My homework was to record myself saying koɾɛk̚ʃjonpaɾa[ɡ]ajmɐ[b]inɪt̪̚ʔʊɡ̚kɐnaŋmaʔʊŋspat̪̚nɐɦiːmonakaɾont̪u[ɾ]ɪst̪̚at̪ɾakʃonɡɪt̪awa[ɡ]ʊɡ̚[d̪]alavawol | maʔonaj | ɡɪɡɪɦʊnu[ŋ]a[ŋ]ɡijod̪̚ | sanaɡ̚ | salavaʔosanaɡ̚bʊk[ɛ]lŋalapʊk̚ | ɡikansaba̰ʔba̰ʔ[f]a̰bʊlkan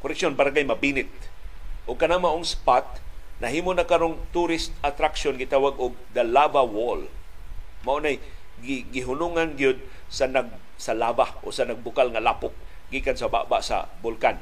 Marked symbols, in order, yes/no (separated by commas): yes, yes, yes, yes, yes, yes, no, no, no